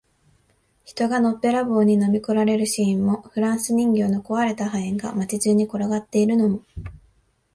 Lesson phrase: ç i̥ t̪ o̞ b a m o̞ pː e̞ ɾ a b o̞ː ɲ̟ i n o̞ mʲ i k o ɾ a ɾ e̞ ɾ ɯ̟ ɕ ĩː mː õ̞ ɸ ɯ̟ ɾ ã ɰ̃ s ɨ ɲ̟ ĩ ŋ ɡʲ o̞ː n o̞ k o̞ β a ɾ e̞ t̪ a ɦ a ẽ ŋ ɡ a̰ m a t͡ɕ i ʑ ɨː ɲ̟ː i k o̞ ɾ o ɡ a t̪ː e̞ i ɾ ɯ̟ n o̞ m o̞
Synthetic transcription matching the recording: ç i̥ t̪ o̞ ɡ a n o̞ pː e̞ ɾ a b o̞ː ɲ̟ i n o̞ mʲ i k o ɾ a ɾ e̞ ɾ ɯ̟ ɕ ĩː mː o̞ ɸ ɯ̟ ɾ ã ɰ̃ s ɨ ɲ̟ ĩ ŋ ɡʲ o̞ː n o̞ k o̞ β a ɾ e̞ t̪ a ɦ a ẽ ŋ ɡ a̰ m a t͡ɕ i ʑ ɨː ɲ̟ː i k o̞ ɾ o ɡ a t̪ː e̞ i ɾ ɯ̟ n o̞ m o̞